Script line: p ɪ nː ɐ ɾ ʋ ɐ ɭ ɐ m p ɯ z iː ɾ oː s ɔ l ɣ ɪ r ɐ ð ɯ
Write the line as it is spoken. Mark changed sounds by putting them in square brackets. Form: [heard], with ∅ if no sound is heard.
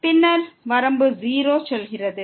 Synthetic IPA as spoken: p ɪ nː ɐ ɾ ʋ ɐ [ɾ] ɐ m [b] ɯ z iː ɾ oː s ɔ l ɣ ɪ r ɐ ð ɯ